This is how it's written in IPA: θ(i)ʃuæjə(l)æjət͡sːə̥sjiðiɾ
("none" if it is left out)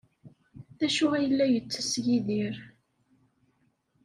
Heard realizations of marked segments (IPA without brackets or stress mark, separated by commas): æ, lː